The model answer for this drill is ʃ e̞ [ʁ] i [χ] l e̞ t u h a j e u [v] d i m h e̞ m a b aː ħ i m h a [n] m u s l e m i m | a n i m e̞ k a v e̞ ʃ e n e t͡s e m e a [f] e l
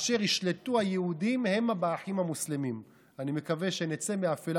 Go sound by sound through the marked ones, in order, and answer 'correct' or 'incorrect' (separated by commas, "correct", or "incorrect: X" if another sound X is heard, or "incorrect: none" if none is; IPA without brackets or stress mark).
correct, incorrect: ʃ, incorrect: none, incorrect: none, correct